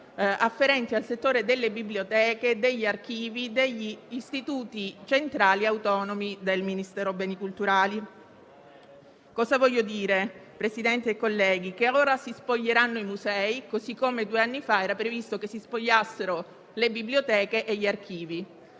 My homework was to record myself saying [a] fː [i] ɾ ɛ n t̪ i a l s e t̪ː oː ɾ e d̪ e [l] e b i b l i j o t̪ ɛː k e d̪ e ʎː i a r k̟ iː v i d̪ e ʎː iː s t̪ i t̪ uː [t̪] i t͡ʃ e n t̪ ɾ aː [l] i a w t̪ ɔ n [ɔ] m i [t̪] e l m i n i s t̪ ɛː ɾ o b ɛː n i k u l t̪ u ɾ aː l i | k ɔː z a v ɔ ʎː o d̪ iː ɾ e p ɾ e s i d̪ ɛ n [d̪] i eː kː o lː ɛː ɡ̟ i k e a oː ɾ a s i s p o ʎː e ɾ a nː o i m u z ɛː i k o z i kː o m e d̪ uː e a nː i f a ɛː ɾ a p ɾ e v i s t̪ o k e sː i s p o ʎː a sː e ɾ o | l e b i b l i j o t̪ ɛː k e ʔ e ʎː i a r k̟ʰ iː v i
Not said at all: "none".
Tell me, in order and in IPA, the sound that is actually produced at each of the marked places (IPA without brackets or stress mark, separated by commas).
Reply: a, e, lː, t̪, l, o, d̪, t̪